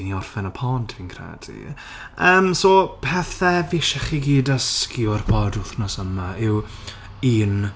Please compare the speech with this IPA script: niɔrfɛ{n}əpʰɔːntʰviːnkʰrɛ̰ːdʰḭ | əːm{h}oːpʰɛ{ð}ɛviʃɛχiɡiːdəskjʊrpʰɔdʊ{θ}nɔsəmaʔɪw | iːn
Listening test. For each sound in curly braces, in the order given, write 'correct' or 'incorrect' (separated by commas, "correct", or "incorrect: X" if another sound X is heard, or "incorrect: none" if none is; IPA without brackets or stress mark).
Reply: correct, incorrect: s, incorrect: θ, correct